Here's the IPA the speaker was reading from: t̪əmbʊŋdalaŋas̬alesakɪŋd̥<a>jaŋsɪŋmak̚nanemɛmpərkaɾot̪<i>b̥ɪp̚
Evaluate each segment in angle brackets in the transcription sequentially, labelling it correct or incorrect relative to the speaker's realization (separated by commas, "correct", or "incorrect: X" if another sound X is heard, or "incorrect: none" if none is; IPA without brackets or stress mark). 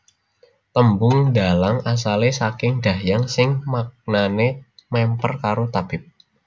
correct, incorrect: a